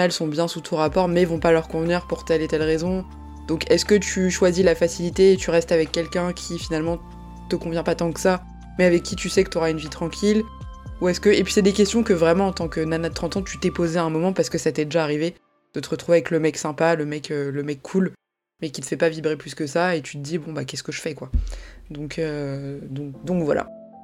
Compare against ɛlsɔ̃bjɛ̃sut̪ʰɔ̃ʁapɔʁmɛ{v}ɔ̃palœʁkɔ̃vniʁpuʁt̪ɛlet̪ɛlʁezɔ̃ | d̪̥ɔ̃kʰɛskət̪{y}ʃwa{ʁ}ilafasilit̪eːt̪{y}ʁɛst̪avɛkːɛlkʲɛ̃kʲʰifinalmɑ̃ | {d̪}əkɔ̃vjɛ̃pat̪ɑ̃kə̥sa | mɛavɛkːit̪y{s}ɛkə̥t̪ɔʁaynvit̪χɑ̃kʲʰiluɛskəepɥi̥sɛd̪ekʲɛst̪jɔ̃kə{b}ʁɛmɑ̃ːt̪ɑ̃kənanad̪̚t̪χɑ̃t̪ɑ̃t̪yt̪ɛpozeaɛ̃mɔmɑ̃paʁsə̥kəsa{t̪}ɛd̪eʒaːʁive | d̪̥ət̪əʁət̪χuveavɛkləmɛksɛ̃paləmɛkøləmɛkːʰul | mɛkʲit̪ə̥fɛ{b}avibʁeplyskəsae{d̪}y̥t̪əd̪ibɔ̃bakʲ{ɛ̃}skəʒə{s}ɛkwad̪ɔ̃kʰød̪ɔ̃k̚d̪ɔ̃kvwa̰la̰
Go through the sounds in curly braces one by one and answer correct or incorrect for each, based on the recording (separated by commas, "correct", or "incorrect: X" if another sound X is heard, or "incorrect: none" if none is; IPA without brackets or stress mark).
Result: correct, correct, incorrect: z, correct, incorrect: t̪, correct, incorrect: v, correct, incorrect: p, incorrect: t̪, incorrect: ɛ, incorrect: f